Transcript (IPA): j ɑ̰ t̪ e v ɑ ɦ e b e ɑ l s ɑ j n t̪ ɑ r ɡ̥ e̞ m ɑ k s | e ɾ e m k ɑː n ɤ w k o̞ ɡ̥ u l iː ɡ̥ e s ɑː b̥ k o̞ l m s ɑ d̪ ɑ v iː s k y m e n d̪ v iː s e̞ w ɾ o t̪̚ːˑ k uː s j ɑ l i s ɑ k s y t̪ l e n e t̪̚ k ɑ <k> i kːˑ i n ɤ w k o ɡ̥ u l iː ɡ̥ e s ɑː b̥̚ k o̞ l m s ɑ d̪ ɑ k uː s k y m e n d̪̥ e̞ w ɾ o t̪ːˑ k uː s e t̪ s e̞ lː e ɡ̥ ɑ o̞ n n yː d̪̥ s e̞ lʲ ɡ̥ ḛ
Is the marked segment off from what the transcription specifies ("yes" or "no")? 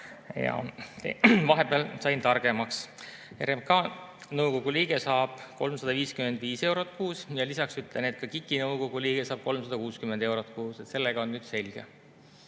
no